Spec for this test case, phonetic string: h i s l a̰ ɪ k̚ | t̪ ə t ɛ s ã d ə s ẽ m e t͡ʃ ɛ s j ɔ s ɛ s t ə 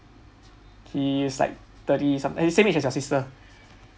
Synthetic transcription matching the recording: h i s l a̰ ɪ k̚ | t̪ ə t i s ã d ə s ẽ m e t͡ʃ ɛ s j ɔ s i s t ə